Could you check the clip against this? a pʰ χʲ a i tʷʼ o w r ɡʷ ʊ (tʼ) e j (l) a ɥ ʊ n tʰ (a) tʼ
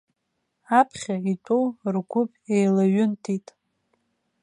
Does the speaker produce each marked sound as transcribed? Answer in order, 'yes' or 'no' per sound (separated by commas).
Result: no, yes, no